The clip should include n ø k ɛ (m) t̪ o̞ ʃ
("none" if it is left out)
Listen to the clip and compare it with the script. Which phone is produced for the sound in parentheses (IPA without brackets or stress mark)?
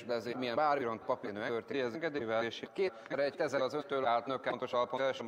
n